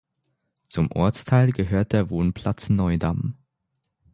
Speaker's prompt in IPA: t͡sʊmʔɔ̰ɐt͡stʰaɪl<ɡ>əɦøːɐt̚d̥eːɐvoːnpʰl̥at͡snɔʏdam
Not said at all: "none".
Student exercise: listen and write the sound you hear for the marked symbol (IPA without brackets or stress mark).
ɡ